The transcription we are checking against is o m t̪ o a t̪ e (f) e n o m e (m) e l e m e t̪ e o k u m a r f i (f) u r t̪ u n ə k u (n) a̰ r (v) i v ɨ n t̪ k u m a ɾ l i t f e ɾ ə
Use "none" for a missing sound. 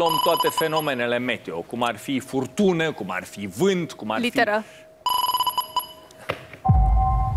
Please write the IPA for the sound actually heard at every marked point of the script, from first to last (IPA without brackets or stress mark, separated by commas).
f, n, f, m, f